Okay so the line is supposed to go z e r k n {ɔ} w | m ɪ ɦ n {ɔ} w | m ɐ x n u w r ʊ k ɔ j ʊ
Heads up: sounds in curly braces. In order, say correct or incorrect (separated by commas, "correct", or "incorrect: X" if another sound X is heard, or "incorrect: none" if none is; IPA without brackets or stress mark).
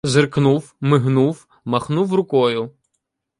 incorrect: u, incorrect: u